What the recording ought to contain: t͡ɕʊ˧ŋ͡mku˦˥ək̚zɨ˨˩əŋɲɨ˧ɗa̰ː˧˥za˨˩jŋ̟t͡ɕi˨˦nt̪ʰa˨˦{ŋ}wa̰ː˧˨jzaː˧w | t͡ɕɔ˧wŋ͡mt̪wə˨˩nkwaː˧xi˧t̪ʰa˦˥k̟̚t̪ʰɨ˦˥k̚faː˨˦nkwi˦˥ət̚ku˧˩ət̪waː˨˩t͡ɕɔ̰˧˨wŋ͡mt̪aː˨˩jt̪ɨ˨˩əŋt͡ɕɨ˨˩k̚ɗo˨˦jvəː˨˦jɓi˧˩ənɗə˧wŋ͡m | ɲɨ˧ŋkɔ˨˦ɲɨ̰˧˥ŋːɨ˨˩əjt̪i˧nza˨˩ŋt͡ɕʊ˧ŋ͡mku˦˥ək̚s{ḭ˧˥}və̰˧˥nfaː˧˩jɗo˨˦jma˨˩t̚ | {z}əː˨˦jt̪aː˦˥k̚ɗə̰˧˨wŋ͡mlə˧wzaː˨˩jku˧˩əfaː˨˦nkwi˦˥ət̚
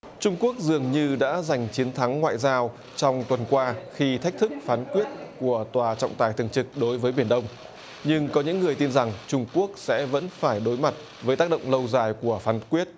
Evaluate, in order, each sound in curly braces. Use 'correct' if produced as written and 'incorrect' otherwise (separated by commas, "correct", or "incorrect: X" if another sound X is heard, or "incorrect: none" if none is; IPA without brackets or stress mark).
incorrect: ŋː, incorrect: ɛ̰˧˥, incorrect: v